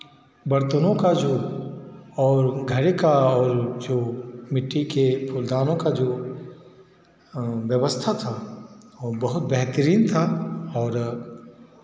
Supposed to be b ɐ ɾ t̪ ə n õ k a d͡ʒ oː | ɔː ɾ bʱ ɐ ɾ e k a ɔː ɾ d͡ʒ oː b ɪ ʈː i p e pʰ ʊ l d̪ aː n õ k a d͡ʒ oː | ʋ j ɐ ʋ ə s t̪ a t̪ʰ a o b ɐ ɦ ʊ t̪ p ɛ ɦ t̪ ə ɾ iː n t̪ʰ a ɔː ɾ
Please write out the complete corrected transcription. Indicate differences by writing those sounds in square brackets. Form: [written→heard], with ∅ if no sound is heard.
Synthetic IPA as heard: b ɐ ɾ t̪ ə n õ k a d͡ʒ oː | ɔː ɾ [bʱ→ɡʱ] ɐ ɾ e k a ɔː ɾ d͡ʒ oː [b→m] ɪ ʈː i [p→k] e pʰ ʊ l d̪ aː n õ k a d͡ʒ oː | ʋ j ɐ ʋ ə s [t̪→t̪ʰ] a t̪ʰ a o b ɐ ɦ ʊ t̪ [p→b] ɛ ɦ t̪ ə ɾ iː n t̪ʰ a ɔː ɾ